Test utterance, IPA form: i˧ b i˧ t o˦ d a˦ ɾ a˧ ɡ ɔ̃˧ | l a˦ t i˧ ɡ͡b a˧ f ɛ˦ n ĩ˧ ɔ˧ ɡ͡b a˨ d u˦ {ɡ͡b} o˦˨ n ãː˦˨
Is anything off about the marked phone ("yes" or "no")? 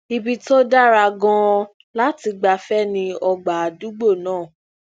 no